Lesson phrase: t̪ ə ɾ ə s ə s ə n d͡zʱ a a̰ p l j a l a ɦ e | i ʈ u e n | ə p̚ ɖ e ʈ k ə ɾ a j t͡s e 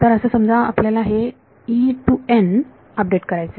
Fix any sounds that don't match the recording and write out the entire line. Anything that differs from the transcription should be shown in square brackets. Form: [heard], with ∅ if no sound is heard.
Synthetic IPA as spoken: t̪ ə ɾ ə s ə s ə [m] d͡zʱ a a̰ p l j a l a ɦ e | i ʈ u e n | ə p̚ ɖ e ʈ k ə ɾ a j t͡s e